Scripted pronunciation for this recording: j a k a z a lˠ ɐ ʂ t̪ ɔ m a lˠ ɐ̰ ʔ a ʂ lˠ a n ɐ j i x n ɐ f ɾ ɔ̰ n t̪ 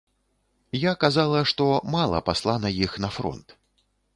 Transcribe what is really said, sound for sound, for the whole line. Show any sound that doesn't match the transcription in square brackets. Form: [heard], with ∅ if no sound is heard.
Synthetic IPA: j a k a z a lˠ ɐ ʂ t̪ ɔ m a lˠ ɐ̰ [p] a [s] lˠ a n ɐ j i x n ɐ f ɾ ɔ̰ n t̪